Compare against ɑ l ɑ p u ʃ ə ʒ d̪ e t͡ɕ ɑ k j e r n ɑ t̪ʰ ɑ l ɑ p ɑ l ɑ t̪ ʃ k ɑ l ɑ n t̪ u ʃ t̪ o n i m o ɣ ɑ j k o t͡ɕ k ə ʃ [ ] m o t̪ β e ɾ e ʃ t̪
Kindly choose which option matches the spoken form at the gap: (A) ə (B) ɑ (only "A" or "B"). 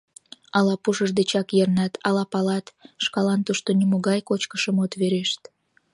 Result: A